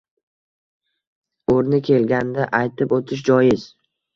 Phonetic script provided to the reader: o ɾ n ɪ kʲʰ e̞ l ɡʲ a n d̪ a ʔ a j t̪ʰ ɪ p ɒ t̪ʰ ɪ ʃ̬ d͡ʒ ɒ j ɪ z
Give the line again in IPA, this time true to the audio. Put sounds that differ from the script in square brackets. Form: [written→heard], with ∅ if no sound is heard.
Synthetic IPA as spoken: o ɾ n ɪ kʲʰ e̞ l ɡʲ a n d̪ a ʔ a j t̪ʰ ɪ p [ɒ→o] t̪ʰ ɪ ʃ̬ d͡ʒ ɒ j ɪ z